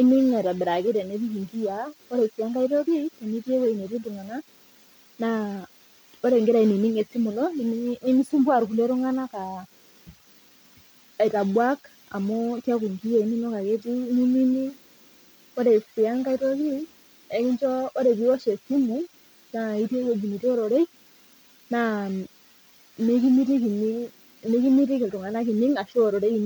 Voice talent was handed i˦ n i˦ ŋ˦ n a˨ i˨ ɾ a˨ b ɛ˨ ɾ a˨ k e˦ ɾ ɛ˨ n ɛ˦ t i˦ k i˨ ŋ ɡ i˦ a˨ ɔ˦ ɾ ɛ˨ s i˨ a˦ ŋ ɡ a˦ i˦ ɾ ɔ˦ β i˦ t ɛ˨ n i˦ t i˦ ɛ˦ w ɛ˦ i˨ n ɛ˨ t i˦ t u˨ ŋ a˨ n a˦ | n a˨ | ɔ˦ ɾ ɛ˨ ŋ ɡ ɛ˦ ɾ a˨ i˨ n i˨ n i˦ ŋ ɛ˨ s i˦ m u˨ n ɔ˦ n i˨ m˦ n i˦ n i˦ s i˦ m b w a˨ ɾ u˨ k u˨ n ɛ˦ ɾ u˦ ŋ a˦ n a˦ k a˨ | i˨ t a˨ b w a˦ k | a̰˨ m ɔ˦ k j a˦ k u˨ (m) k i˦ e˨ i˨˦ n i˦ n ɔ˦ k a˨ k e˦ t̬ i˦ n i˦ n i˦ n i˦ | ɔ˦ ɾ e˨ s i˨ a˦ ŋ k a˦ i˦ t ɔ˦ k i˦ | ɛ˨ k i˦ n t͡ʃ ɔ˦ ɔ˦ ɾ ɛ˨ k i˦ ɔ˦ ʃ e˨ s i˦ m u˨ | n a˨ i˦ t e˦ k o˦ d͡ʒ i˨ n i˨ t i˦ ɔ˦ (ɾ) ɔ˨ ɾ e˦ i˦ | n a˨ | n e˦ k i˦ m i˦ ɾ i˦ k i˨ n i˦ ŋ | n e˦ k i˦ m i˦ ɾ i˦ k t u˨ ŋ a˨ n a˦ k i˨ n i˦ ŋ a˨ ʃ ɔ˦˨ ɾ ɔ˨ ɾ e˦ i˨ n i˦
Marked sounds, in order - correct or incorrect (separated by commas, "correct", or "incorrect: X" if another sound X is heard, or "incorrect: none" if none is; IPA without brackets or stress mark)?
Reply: incorrect: ŋ, correct